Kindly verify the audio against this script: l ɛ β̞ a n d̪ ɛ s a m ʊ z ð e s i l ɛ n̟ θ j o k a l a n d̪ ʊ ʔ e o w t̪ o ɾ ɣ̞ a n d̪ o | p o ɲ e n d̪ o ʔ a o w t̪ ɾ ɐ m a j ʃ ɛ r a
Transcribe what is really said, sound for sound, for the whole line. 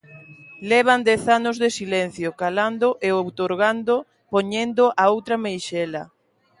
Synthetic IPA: l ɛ β̞ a n d̪ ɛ θ a n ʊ z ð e s i l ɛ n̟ θ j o k a l a n d̪ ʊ ʔ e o w t̪ o ɾ ɣ̞ a n d̪ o | p o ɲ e n d̪ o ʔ a o w t̪ ɾ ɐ m e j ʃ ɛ l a